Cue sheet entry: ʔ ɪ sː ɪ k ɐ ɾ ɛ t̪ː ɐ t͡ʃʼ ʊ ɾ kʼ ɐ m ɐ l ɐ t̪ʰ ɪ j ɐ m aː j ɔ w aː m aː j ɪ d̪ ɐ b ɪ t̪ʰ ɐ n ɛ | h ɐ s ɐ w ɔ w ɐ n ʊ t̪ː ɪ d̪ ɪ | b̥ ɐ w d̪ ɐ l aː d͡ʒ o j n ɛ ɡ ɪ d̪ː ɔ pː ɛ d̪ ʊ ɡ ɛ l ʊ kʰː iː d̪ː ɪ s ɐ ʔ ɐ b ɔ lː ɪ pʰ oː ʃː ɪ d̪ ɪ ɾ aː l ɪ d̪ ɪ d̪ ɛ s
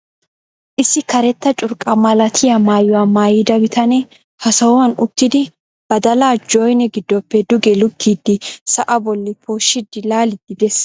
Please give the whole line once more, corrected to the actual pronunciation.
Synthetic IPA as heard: ʔ ɪ sː ɪ k ɐ ɾ ɛ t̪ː ɐ t͡ʃʼ ʊ ɾ kʼ ɐ m ɐ l ɐ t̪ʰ ɪ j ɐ m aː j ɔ w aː m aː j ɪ d̪ ɐ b ɪ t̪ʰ ɐ n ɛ | h ɐ s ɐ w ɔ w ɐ n ʊ t̪ː ɪ d̪ ɪ | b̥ ɐ d̪ ɐ l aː d͡ʒ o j n ɛ ɡ ɪ d̪ː ɔ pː ɛ d̪ ʊ ɡ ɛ l ʊ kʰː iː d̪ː ɪ s ɐ ʔ ɐ b ɔ lː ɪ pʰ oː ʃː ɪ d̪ ɪ l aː l ɪ d̪ ɪ d̪ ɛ s